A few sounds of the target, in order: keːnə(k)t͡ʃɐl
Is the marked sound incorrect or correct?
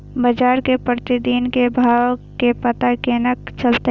correct